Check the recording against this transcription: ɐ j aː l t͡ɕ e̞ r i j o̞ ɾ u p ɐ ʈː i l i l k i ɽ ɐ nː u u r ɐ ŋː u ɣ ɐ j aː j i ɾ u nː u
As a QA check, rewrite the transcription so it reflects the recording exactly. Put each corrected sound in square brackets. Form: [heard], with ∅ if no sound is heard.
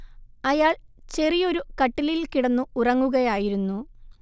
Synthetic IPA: ɐ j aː [ɭ] t͡ɕ e̞ r i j o̞ ɾ u [k] ɐ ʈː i l i l k i ɽ ɐ nː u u r ɐ ŋː u ɣ ɐ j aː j i ɾ u nː u